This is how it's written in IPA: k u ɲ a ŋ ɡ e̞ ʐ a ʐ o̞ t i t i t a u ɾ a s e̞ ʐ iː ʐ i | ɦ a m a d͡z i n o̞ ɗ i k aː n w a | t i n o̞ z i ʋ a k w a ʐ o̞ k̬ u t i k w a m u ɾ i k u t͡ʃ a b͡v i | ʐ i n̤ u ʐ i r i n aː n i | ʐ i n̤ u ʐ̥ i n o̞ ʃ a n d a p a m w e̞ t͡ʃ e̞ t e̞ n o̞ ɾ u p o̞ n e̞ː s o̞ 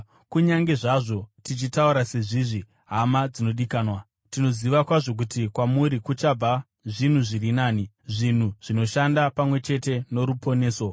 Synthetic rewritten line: k u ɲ a ŋ ɡ e̞ ʐ a ʐ o̞ t i t͡ʃ i t a u ɾ a s e̞ ʐ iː ʐ i | ɦ a m a d͡z i n o̞ ɗ i k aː n w a | t i n o̞ z i ʋ a k w a ʐ o̞ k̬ u t i k w a m u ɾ i k u t͡ʃ a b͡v a | ʐ i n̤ u ʐ i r i n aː n i | ʐ i n̤ u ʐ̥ i n o̞ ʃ a n d a p a m w e̞ t͡ʃ e̞ t e̞ n o̞ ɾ u p o̞ n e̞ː s o̞